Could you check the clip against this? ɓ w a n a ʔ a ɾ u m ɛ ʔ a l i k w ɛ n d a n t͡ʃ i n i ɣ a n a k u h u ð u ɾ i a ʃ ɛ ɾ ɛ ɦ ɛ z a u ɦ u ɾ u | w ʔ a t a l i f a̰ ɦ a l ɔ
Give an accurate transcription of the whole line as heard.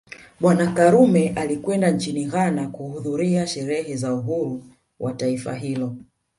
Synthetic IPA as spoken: ɓ w a n a k a ɾ u m ɛ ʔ a l i k w ɛ n d a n t͡ʃ i n i ɣ a n a k u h u ð u ɾ i a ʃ ɛ ɾ ɛ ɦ ɛ z a u ɦ u ɾ u | w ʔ a t a i f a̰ ɦ i l ɔ

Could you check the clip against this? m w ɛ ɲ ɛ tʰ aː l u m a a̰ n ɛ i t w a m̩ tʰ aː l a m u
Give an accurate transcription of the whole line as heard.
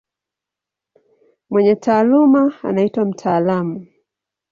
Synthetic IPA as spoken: m w ɛ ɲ ɛ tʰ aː l u m a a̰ n a i t w a m̩ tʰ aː l a m u

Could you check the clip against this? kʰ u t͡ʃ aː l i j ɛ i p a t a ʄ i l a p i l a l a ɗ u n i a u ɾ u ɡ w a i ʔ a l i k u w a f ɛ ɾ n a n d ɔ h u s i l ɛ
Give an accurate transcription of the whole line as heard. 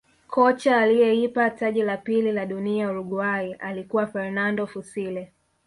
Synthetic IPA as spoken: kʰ ɔ t͡ʃ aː l i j ɛ i p a t a ʄ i l a p i l i l a ɗ u n i a u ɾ u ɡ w a i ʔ a l i k u w a f ɛ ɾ n a n d ɔ f u s i l ɛ

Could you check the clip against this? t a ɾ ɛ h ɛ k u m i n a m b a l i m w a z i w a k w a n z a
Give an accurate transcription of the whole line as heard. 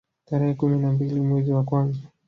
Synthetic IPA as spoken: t a ɾ ɛ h ɛ k u m i n a m b i l i m w ɛ z i w a k w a n z a

